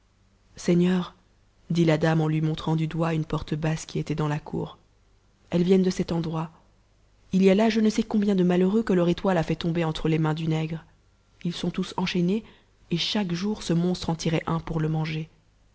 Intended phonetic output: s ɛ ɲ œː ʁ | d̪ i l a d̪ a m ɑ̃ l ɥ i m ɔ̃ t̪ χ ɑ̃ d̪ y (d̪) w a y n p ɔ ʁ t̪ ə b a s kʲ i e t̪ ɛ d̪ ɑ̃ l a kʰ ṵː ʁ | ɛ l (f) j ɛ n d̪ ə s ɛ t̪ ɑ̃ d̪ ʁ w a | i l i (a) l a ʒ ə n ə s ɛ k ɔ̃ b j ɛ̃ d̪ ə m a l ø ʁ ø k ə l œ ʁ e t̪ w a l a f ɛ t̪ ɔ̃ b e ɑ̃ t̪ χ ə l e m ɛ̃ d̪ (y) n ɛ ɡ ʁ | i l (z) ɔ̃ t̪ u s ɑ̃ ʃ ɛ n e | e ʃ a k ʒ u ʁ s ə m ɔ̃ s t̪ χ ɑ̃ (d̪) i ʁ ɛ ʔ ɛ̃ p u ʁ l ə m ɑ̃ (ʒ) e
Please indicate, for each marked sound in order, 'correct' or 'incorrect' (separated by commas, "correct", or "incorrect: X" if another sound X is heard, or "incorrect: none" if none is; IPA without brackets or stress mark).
correct, incorrect: v, correct, correct, incorrect: s, incorrect: t̪, correct